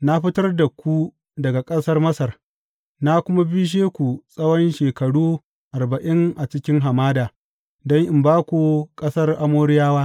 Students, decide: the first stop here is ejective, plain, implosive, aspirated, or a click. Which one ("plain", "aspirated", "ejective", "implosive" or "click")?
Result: plain